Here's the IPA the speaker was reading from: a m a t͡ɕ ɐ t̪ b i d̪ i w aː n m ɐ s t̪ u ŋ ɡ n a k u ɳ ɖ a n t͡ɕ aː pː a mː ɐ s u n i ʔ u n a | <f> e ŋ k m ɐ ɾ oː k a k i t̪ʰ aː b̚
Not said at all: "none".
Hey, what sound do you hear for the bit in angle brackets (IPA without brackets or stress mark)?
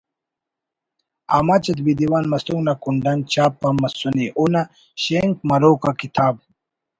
ɕ